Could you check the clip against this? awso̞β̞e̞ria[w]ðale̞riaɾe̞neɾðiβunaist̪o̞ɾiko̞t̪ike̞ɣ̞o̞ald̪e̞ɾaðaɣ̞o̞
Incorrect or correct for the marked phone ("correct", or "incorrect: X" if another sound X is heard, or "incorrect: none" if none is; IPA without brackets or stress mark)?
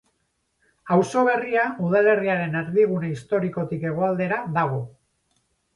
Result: incorrect: u